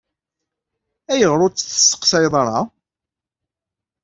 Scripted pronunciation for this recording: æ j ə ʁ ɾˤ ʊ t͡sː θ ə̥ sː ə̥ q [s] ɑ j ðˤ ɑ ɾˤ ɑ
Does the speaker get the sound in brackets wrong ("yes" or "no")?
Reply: no